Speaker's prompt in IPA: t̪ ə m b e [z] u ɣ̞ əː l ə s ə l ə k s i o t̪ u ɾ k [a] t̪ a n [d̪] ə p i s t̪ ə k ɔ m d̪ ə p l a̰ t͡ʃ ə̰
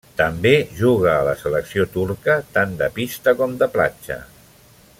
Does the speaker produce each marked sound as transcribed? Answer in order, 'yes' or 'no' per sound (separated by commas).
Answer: no, no, yes